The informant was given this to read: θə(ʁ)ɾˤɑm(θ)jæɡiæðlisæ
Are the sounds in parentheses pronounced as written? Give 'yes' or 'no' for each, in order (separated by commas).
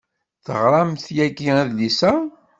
yes, yes